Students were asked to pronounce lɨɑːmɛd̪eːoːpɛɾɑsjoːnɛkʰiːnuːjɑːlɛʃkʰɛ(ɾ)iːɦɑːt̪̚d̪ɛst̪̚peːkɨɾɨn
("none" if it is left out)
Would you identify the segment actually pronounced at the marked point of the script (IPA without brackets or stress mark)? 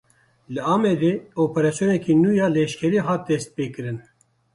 ɾ